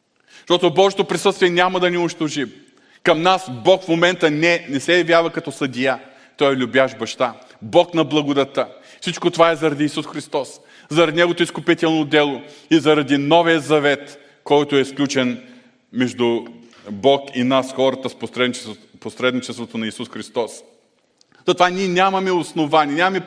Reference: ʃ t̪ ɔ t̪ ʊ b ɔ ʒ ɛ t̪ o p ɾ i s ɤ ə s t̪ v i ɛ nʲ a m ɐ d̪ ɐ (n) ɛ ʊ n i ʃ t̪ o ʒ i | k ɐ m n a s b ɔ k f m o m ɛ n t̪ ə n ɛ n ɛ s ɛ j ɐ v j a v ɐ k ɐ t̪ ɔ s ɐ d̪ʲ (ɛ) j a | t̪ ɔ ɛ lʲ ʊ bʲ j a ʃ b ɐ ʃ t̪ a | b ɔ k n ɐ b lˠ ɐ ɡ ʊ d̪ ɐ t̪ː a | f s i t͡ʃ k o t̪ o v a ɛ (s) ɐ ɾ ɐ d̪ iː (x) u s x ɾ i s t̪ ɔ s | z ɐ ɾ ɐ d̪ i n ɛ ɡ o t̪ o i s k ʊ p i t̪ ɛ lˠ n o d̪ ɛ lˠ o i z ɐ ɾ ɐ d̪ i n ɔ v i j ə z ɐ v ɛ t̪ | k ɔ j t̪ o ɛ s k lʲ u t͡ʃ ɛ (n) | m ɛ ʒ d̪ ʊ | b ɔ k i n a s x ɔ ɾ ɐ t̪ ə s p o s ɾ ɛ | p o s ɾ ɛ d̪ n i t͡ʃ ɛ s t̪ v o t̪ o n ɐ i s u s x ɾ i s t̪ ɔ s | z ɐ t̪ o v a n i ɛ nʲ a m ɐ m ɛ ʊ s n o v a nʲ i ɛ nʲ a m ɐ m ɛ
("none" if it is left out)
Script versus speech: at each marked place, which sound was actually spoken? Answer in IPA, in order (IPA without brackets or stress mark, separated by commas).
n, i, z, s, n